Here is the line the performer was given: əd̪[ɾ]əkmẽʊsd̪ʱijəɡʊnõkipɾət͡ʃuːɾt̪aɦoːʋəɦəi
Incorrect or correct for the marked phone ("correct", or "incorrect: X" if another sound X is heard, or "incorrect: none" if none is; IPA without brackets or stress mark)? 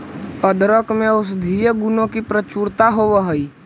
correct